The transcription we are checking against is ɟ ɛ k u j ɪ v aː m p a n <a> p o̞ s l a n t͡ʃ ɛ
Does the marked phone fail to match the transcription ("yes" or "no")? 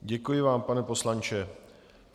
yes